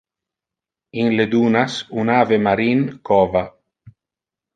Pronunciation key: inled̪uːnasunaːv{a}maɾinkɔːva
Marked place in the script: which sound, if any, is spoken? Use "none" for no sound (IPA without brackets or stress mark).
e